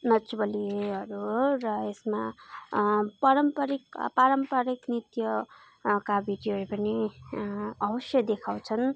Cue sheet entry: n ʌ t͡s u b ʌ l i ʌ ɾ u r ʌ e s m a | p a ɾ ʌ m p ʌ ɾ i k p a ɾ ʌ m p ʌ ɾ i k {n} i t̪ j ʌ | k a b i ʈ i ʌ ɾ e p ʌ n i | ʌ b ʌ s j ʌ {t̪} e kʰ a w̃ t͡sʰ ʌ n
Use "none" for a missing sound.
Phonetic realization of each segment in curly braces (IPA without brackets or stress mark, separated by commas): n, d̪